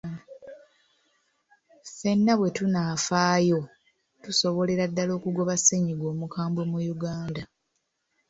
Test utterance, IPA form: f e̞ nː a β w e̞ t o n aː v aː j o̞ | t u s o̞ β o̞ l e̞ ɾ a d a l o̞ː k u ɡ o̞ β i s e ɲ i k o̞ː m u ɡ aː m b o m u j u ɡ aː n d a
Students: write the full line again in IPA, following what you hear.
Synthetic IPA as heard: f e̞ nː a β w e̞ t u n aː f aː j o̞ | t u s o̞ β o̞ l e̞ ɾ a dː a l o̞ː k u ɡ o̞ β a s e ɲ i ɡ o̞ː m u k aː m b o m u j u ɡ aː n d a